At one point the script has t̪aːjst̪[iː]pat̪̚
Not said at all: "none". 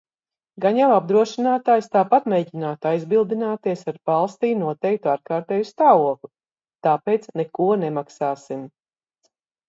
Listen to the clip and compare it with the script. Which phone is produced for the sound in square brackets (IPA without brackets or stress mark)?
aː